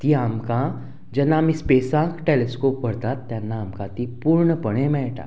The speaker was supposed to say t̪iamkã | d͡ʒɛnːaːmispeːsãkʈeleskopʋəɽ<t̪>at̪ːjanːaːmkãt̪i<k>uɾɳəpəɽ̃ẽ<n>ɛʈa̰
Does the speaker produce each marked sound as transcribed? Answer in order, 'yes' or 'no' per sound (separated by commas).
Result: yes, no, no